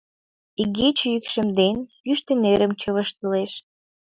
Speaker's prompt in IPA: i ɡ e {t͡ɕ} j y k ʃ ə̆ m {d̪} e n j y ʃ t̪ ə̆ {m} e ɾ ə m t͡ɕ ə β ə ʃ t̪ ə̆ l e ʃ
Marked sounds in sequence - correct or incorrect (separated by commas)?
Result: correct, correct, incorrect